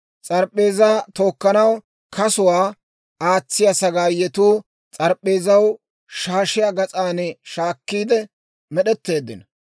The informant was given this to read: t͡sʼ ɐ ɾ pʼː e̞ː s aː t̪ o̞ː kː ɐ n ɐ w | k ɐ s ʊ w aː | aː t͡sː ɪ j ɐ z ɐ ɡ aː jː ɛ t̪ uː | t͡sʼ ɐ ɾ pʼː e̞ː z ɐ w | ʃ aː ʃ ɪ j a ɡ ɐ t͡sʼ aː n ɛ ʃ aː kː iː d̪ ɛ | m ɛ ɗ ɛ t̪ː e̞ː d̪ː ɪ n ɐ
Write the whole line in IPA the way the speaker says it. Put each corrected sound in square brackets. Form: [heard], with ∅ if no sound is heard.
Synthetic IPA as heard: t͡sʼ ɐ ɾ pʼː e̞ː [z] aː t̪ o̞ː kː ɐ n ɐ w | k ɐ s ʊ w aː | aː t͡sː ɪ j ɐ [s] ɐ ɡ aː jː ɛ t̪ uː | t͡sʼ ɐ ɾ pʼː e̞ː z ɐ w | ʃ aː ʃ ɪ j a ɡ ɐ t͡sʼ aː n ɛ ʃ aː kː iː d̪ ɛ | m ɛ ɗ ɛ t̪ː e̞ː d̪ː ɪ n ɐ